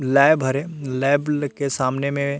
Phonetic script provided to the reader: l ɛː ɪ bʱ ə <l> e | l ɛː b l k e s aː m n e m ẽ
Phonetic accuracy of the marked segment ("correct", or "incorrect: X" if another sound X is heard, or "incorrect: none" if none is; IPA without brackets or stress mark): incorrect: ɾ